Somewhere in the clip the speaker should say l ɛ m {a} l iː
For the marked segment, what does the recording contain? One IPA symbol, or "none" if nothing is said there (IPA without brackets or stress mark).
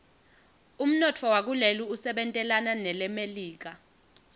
e